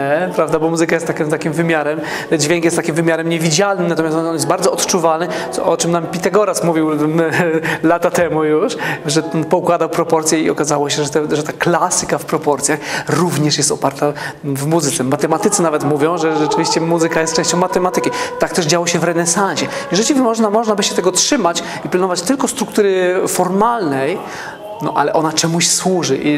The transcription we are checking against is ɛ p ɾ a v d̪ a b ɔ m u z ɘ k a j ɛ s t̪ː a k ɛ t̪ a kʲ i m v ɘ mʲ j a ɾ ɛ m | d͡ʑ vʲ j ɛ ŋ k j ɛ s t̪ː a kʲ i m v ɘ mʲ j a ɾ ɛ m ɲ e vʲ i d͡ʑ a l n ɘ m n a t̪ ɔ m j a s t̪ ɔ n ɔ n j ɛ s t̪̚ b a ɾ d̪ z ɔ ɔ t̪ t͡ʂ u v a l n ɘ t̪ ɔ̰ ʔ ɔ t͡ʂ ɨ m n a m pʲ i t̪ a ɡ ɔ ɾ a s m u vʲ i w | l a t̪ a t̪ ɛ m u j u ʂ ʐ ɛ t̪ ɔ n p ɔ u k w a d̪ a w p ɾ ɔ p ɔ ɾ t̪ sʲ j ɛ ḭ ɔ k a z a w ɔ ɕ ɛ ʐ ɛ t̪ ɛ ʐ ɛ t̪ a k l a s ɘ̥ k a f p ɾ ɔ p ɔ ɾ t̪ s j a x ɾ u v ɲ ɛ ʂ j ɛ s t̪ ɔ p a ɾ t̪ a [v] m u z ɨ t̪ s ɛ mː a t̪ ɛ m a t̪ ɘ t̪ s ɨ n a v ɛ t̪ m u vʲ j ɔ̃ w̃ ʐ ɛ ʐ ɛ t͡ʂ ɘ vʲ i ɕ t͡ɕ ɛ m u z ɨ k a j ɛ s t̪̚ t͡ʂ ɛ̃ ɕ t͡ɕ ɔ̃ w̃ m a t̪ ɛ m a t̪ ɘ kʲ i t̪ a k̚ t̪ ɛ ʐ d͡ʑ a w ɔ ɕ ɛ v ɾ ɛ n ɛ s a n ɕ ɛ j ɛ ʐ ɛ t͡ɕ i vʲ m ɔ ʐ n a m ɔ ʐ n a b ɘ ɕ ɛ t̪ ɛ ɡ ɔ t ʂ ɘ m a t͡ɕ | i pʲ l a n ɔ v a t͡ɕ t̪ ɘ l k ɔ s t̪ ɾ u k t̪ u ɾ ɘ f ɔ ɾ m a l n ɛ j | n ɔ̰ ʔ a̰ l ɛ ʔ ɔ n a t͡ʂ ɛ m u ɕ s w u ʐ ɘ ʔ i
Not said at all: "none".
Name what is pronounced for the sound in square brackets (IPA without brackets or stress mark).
v